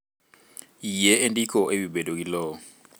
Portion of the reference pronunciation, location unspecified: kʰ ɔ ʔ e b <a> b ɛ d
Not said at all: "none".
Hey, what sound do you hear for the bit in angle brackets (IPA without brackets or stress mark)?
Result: i